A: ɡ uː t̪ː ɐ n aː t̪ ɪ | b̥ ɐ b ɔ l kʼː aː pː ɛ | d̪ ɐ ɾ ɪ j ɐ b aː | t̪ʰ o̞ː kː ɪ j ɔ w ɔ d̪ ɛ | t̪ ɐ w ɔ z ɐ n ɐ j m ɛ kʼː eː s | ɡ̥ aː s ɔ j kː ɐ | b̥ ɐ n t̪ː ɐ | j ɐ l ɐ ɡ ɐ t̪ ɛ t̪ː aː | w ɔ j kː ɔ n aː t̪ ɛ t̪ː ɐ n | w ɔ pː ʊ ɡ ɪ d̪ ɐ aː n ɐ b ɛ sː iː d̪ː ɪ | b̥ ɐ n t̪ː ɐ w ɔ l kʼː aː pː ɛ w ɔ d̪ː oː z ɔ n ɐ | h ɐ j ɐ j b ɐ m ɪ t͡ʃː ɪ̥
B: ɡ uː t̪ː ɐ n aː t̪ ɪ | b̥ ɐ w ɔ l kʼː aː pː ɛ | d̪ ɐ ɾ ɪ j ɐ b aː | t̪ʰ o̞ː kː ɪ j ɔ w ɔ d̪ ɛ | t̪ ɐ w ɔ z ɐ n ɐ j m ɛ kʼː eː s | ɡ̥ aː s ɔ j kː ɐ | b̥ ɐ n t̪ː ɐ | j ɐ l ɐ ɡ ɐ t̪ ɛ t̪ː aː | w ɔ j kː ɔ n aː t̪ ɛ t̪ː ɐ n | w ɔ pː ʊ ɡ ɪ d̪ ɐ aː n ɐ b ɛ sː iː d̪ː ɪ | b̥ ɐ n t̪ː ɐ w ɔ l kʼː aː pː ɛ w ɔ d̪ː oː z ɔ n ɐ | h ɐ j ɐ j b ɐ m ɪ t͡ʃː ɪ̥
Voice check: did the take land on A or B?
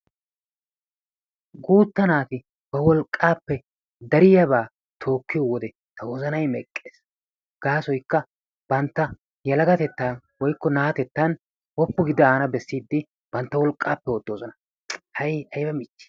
B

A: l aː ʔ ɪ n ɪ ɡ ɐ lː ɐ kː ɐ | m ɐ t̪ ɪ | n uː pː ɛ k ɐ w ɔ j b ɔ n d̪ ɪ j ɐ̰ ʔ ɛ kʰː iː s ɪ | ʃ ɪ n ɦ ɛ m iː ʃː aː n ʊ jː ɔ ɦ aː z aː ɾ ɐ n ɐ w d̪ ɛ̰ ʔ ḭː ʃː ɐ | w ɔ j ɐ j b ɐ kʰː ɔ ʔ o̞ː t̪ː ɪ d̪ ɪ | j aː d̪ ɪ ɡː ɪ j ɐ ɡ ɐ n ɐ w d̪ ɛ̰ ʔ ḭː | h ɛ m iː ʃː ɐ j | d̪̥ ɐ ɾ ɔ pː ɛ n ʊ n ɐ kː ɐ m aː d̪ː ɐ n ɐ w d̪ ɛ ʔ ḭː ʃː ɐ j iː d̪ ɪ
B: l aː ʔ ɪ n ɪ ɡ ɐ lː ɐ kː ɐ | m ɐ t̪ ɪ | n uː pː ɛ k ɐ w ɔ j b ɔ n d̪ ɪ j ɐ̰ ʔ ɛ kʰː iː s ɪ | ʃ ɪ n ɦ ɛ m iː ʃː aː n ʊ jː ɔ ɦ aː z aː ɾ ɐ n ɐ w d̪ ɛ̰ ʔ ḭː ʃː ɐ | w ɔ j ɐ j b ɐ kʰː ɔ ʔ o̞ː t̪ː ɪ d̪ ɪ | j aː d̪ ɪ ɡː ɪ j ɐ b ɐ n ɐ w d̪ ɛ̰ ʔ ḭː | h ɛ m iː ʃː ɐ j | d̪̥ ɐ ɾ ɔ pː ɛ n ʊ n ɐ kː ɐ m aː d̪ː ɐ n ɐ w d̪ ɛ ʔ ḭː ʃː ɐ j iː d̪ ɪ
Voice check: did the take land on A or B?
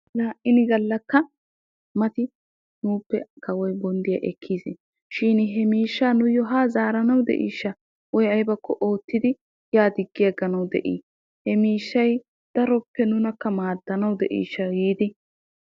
A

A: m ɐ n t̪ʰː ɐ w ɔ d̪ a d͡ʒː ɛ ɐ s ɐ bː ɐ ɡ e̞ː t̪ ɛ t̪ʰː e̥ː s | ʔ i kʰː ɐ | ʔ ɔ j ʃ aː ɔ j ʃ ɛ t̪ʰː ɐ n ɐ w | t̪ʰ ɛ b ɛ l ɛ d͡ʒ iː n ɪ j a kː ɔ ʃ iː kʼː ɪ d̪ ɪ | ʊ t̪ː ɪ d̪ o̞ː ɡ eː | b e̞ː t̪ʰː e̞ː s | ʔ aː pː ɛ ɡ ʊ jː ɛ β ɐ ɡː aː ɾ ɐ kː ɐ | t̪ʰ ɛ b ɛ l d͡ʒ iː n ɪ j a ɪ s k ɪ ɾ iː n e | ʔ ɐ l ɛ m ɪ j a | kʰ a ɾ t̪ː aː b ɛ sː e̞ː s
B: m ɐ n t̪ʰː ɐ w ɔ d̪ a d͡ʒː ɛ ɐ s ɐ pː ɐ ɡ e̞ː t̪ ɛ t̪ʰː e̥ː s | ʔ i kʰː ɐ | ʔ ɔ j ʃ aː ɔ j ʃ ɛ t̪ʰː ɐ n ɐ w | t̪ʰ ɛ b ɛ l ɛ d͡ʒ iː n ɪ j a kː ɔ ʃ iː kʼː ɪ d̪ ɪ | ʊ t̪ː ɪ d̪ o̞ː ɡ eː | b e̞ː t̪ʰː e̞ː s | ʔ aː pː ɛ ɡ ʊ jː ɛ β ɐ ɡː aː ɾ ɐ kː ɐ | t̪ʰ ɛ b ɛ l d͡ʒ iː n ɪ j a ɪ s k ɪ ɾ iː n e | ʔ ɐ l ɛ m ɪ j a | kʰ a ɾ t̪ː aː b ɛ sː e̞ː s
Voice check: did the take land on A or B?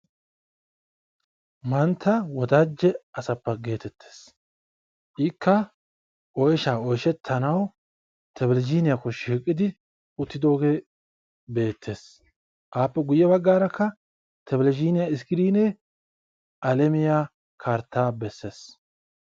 B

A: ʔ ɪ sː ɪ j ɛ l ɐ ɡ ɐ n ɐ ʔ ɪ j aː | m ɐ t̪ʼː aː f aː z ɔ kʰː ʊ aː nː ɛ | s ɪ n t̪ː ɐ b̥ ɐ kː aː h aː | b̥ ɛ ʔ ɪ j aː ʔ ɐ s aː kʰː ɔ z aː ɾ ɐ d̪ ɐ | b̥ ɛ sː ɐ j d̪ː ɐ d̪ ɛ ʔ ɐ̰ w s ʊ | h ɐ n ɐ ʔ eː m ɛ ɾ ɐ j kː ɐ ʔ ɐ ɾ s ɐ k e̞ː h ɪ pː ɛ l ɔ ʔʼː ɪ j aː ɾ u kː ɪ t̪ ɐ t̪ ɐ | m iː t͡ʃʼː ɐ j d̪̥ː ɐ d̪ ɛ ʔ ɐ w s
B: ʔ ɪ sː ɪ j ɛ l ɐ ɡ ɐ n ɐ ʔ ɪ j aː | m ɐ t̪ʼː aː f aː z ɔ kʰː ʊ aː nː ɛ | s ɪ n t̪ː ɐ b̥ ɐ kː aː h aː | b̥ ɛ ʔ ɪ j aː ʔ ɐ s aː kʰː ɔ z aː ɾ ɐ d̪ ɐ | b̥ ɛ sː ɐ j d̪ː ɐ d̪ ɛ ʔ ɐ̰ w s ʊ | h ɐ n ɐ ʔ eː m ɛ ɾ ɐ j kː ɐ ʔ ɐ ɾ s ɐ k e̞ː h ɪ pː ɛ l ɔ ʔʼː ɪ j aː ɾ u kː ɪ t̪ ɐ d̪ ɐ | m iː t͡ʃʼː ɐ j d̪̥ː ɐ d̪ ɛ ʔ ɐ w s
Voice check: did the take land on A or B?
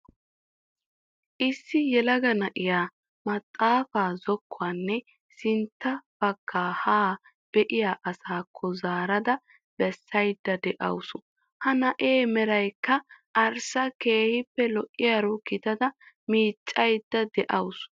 B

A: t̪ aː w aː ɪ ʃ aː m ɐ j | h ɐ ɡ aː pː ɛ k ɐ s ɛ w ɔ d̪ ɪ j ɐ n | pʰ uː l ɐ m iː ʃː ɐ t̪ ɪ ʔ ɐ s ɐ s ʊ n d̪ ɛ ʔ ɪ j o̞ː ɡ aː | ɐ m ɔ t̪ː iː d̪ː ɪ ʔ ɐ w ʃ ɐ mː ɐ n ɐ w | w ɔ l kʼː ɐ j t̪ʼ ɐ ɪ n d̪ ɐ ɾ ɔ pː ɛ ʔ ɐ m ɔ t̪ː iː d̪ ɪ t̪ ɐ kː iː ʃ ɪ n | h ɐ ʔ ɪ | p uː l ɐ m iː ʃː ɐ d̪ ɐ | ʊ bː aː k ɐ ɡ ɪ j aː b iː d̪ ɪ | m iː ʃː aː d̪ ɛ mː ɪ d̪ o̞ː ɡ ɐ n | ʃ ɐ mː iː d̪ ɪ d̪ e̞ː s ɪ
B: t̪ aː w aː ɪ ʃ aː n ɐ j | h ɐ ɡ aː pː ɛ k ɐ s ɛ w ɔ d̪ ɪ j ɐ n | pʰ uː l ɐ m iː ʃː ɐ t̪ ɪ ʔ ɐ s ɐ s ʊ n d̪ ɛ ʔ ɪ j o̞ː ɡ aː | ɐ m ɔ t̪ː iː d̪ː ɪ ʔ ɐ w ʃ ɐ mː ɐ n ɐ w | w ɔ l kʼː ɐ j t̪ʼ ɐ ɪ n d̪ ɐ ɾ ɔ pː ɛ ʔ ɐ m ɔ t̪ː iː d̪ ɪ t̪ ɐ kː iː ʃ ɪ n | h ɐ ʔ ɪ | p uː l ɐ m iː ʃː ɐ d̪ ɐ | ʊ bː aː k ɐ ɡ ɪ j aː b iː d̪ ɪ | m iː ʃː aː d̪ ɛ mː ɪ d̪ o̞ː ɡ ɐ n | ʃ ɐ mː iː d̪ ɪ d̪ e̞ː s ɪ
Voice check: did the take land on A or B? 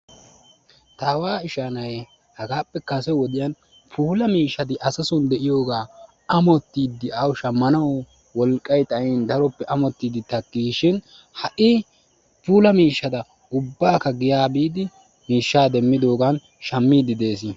B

